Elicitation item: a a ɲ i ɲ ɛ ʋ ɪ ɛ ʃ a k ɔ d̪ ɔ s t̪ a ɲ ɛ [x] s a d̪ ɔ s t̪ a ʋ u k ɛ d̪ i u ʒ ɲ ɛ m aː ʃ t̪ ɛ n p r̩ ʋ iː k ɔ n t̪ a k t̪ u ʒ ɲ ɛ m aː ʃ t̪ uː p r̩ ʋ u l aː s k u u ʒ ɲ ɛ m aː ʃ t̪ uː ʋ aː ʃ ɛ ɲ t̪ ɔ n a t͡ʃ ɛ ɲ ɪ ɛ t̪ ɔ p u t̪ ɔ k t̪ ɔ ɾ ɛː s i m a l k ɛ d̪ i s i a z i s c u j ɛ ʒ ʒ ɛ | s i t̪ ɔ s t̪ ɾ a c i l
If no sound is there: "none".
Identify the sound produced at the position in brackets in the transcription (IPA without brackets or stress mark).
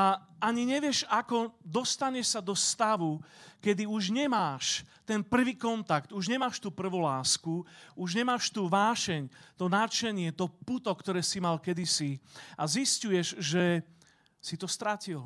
ʃ